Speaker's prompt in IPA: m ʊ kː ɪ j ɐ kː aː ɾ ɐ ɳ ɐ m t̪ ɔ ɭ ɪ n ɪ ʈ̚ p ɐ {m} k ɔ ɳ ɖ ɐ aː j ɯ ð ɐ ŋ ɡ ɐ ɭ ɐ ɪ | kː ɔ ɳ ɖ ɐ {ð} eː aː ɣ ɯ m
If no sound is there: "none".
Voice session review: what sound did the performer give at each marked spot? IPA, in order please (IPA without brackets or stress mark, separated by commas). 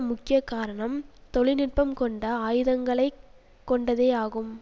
m, ð